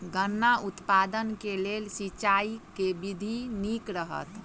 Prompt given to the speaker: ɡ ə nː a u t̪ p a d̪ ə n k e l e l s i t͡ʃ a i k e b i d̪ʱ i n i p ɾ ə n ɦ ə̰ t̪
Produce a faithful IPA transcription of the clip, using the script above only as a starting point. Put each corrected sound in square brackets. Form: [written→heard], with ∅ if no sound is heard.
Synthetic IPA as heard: ɡ ə nː a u t̪ p a d̪ ə n k e l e l s i t͡ʃ a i k e b i d̪ʱ i n i [p→k] ɾ ə [n→∅] ɦ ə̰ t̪